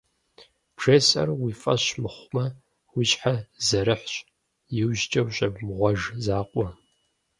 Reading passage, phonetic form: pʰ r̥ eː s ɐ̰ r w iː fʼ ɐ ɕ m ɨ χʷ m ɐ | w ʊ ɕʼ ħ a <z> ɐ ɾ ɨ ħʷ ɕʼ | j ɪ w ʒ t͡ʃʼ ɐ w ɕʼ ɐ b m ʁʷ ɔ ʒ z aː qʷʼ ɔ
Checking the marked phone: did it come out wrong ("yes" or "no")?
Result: no